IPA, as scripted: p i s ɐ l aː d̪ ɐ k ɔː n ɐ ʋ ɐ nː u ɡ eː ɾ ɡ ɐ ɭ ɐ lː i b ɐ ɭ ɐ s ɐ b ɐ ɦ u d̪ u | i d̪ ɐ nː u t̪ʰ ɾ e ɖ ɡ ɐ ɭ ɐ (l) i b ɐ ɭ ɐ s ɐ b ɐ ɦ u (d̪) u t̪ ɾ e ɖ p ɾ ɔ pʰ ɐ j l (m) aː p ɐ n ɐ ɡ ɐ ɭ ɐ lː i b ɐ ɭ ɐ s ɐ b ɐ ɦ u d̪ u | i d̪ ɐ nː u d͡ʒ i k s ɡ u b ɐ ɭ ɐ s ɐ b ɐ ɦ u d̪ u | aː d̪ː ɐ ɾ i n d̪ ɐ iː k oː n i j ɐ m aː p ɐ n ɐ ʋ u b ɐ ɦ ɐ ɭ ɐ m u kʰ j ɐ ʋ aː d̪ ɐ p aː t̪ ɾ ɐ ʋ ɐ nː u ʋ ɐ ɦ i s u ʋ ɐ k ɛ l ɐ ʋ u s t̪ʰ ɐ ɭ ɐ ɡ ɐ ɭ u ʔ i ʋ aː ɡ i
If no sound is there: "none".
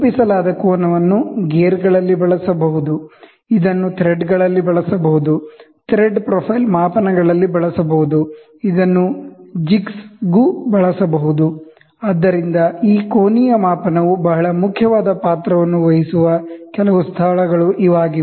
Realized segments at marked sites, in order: lː, d̪, m

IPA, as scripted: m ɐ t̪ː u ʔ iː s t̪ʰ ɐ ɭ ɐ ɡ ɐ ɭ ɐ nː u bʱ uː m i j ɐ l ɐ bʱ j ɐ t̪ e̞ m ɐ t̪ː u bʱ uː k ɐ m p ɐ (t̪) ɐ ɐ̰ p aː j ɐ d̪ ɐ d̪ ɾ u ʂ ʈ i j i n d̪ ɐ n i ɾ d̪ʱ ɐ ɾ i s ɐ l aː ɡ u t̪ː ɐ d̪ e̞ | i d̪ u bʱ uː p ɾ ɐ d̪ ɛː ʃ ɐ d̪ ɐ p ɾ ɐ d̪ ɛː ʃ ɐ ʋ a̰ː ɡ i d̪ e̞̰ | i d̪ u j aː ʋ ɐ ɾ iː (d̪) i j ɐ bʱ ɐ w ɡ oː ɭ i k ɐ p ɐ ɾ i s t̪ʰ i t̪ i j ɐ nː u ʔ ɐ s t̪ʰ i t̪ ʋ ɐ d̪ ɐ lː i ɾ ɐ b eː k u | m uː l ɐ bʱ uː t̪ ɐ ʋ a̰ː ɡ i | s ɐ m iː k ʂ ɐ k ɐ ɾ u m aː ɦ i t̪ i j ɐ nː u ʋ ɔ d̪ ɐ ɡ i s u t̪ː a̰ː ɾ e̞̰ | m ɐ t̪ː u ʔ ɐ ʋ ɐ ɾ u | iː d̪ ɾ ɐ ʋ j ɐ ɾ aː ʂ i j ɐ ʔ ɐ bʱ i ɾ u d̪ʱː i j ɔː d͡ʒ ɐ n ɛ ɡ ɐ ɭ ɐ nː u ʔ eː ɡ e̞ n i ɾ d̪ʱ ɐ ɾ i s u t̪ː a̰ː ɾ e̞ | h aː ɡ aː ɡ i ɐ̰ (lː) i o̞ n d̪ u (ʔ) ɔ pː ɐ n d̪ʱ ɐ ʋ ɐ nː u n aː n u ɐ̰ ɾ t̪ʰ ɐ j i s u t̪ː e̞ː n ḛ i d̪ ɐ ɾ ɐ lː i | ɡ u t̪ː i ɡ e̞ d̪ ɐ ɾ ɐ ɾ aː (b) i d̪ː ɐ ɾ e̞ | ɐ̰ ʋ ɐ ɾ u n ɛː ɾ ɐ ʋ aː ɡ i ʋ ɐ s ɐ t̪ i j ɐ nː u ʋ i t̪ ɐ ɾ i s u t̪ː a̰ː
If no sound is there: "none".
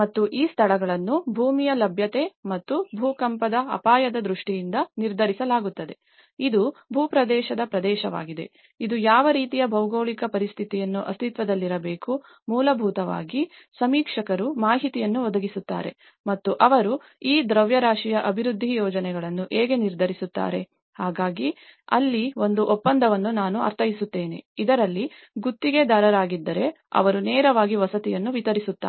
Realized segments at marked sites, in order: d̪, t̪, lː, ʔ, ɡ

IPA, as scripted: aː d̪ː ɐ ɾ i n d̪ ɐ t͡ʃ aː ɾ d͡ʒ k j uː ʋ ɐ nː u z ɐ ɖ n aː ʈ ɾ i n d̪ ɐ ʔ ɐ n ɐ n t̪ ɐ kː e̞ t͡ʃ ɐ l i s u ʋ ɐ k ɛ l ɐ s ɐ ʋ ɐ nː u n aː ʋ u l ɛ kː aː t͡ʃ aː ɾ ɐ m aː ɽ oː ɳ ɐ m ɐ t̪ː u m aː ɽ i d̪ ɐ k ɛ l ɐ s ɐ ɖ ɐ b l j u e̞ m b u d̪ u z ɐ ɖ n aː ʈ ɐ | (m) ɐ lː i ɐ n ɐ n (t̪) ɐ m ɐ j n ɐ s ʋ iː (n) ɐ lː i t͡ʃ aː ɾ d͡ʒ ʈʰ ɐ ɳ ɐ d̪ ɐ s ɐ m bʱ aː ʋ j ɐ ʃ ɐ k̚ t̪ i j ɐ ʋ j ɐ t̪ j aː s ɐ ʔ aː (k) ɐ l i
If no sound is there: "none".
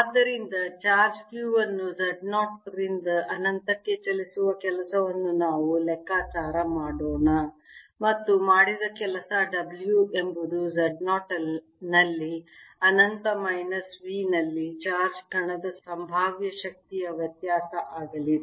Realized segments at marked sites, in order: n, t̪, n, ɡ

